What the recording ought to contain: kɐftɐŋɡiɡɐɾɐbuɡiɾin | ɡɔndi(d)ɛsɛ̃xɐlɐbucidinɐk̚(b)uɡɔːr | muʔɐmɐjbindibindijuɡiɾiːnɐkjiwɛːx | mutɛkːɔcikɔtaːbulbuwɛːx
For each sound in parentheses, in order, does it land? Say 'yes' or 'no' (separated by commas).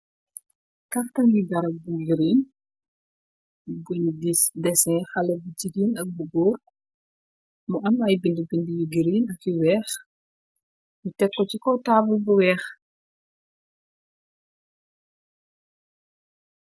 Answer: yes, yes